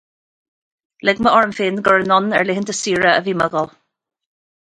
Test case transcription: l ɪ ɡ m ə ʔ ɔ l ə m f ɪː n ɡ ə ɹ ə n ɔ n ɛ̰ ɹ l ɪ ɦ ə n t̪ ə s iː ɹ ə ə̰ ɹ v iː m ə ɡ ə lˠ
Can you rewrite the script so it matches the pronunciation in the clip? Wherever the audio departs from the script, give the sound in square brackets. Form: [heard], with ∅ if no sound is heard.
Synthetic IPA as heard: l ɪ ɡ m ə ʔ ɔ [ɹ] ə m f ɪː n ɡ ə ɹ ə n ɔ n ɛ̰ ɹ l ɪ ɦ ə n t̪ ə s iː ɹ ə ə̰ [∅] v iː m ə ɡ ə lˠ